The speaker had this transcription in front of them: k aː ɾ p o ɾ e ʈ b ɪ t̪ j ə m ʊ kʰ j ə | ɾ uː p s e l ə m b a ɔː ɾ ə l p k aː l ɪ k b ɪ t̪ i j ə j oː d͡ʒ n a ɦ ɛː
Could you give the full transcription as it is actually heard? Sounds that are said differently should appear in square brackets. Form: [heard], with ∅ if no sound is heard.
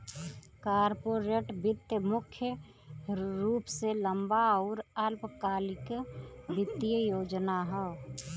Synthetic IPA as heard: k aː ɾ p o ɾ e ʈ b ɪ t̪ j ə m ʊ kʰ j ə | ɾ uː p s e l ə m b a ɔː ɾ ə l p k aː l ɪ k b ɪ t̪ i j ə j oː d͡ʒ n a ɦ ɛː